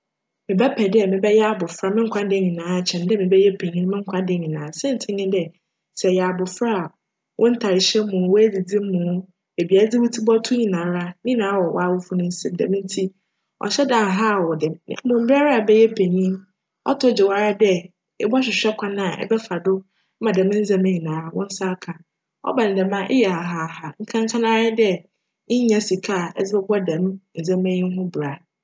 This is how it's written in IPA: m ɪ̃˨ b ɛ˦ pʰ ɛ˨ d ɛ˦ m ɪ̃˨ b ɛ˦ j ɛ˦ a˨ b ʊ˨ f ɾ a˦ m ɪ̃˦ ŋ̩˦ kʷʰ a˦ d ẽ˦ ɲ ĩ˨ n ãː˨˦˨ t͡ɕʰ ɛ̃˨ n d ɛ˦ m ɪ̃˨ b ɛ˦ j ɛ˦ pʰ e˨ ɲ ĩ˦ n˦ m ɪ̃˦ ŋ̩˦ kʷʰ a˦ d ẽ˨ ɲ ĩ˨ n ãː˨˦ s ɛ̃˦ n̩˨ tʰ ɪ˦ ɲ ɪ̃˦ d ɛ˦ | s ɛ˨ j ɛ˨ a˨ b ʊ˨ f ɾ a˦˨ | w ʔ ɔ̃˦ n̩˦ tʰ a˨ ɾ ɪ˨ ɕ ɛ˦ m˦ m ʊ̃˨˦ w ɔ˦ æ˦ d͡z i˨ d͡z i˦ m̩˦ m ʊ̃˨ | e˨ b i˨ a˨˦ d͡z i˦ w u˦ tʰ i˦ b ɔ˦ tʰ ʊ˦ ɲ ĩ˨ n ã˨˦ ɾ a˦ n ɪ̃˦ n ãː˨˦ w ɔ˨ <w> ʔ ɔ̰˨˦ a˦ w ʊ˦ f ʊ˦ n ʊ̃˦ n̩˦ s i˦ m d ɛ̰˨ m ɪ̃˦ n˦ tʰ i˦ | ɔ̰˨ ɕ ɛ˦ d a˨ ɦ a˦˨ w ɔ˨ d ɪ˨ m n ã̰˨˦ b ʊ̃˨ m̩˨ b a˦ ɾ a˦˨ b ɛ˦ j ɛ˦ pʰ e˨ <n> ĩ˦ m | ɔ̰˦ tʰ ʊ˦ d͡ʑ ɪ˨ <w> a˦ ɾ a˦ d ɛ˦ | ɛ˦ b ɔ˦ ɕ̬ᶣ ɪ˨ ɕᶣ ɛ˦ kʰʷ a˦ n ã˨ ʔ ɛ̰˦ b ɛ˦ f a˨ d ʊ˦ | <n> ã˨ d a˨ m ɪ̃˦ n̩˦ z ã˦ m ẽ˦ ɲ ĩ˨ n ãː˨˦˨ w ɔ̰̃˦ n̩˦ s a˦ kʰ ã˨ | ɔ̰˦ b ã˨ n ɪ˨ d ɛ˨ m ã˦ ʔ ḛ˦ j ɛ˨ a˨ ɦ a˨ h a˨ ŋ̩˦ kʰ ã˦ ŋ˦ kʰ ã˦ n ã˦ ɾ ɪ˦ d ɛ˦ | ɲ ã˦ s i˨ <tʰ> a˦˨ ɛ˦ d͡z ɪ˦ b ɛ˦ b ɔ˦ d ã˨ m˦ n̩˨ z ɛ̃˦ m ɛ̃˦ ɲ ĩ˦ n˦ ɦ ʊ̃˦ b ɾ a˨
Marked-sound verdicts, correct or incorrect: correct, incorrect: ɲ, correct, incorrect: m, incorrect: kʰ

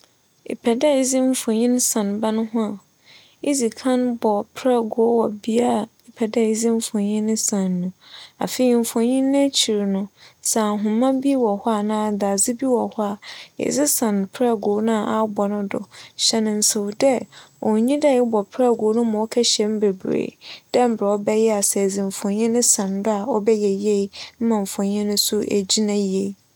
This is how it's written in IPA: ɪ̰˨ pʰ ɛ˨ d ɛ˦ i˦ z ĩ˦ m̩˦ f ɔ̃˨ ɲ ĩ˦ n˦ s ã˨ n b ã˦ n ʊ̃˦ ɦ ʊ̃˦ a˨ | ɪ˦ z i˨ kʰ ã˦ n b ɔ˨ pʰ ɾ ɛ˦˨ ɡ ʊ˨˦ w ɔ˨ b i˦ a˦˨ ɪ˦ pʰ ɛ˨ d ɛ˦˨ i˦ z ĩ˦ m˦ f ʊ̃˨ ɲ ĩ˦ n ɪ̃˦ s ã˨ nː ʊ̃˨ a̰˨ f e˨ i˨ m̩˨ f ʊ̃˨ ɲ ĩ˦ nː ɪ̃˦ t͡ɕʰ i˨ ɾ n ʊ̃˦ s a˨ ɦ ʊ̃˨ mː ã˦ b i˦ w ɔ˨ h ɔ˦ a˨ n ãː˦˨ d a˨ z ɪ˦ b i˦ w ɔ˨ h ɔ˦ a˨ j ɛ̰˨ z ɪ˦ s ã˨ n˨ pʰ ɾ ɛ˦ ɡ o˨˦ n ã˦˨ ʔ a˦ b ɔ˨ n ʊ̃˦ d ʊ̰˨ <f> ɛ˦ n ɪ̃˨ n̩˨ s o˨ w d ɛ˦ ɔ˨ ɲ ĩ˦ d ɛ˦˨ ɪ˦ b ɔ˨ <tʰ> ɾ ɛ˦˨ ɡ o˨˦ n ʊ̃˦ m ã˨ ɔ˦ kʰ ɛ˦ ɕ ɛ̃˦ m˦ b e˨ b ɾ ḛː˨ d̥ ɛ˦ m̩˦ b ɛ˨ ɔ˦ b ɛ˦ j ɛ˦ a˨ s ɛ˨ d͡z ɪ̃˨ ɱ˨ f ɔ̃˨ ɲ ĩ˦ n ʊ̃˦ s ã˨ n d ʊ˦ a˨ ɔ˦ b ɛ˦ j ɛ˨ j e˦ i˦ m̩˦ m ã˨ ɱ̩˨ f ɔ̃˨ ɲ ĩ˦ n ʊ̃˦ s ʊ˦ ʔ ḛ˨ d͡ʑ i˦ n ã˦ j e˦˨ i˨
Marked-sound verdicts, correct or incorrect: incorrect: ɕ, incorrect: pʰ

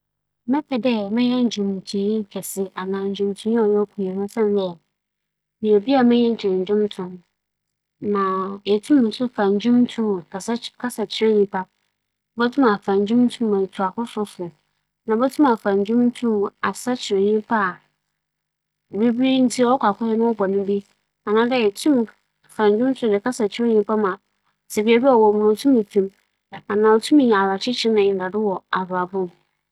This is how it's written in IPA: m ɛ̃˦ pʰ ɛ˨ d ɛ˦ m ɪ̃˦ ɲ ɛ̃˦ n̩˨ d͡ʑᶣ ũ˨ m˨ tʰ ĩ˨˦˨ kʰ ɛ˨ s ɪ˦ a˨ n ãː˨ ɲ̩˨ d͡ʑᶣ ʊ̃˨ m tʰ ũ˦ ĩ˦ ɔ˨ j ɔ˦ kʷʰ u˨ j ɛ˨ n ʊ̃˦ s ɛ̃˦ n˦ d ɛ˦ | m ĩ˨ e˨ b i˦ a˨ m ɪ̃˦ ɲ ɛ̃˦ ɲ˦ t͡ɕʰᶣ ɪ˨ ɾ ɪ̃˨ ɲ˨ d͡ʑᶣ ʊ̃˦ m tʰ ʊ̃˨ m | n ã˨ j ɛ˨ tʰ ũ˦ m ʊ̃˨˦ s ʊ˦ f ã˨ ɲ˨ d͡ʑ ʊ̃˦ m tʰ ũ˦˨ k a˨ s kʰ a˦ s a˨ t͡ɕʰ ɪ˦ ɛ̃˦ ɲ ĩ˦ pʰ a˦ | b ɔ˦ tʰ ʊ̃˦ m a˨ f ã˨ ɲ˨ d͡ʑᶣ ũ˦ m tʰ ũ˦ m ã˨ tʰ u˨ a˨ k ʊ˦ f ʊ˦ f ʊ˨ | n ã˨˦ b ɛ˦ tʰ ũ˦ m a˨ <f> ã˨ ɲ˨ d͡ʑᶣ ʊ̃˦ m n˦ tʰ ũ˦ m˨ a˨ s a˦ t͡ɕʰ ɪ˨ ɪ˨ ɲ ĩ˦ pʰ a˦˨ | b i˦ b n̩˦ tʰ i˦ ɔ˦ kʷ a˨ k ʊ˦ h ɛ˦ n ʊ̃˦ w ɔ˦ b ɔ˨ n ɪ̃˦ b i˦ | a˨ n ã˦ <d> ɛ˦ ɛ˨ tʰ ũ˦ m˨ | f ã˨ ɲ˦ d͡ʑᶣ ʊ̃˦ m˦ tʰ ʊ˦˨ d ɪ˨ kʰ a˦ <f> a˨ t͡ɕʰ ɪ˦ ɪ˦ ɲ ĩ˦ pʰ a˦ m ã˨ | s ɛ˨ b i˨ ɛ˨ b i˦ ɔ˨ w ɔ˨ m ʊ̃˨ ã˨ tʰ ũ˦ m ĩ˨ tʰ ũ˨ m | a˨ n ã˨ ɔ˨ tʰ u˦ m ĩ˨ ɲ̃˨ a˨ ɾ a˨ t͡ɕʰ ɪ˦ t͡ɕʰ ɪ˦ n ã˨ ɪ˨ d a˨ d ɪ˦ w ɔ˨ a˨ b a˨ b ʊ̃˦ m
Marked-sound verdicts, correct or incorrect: correct, correct, incorrect: s

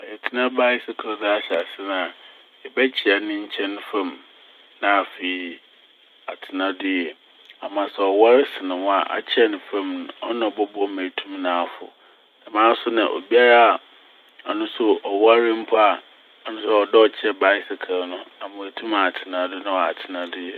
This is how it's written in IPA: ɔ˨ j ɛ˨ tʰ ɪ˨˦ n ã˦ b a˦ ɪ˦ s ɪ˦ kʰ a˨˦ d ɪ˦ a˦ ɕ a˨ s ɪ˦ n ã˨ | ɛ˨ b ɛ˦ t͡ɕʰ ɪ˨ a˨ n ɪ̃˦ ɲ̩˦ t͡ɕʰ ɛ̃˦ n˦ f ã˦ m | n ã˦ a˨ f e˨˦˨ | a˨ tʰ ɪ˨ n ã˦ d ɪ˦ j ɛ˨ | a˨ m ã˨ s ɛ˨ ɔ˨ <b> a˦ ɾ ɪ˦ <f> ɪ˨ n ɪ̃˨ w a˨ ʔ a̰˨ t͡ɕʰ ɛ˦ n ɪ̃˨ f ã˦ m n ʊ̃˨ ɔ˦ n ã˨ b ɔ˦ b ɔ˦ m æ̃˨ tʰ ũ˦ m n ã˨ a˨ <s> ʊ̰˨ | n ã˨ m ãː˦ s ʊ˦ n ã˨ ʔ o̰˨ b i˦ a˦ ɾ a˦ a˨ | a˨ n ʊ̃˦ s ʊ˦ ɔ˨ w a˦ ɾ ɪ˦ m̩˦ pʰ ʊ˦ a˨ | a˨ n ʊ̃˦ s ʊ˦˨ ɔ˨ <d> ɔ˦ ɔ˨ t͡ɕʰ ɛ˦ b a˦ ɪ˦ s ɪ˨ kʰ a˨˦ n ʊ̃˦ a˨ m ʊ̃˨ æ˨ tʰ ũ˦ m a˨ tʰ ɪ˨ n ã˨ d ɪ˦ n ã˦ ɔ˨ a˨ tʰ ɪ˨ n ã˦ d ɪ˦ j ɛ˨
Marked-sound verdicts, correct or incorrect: incorrect: w, incorrect: s, incorrect: f, correct

